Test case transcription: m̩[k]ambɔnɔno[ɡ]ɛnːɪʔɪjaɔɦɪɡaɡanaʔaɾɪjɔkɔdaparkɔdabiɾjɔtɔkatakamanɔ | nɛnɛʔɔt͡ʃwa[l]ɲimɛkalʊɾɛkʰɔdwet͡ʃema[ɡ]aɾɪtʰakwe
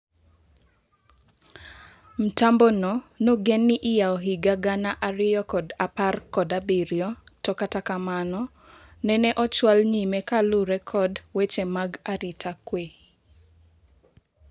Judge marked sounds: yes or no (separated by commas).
no, yes, yes, yes